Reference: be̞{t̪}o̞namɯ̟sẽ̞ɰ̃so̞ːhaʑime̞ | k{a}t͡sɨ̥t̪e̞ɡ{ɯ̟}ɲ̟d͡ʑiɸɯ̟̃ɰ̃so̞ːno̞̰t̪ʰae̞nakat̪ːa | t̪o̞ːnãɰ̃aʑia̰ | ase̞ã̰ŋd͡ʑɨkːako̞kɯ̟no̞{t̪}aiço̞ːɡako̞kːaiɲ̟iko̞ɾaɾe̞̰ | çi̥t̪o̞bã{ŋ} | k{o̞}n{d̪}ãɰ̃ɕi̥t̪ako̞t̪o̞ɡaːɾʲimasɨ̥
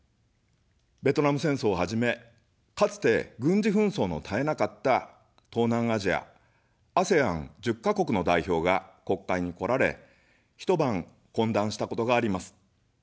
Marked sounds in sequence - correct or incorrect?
correct, correct, incorrect: ɯ̟̃, incorrect: d̪, correct, incorrect: õ̞, correct

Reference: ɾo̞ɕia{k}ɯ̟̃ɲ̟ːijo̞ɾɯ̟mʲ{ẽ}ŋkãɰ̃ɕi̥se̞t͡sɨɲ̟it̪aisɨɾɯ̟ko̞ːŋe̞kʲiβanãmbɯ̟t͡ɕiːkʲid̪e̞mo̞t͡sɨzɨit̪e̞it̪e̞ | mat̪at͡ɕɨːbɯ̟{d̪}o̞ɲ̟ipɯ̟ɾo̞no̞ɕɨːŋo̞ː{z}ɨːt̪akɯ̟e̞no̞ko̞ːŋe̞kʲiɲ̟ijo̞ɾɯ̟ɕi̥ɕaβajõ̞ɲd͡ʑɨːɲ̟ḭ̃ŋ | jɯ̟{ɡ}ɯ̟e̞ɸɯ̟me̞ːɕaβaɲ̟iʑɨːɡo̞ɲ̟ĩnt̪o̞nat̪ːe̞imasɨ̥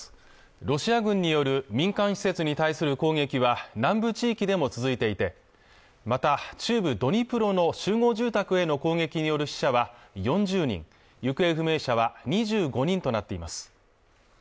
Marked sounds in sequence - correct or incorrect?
incorrect: ɡ, incorrect: ĩ, correct, incorrect: ʑ, incorrect: k

